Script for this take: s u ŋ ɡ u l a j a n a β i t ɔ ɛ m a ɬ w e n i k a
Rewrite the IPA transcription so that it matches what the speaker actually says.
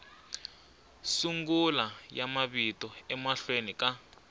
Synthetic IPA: s u ŋ ɡ u l a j a m a β i t ɔ ɛ m a ɬ w e n i k a